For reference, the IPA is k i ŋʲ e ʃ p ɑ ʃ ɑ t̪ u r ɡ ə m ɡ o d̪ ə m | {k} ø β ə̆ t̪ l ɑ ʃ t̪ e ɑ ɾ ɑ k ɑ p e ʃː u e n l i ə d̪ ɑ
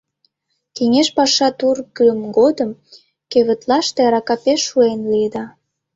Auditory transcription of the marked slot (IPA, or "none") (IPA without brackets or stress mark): k